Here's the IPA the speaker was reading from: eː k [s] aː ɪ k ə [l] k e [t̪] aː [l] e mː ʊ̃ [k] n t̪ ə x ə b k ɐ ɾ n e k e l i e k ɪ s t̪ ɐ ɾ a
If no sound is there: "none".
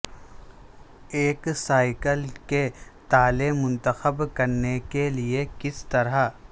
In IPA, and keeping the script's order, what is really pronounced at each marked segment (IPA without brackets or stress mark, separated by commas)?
s, l, t̪, l, none